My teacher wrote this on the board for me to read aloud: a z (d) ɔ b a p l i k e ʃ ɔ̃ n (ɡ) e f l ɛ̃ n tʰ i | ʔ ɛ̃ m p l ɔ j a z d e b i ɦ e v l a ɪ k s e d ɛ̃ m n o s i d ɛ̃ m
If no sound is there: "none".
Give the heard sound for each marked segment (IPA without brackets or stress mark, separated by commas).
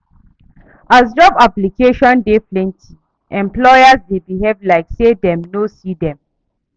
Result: d͡ʒ, d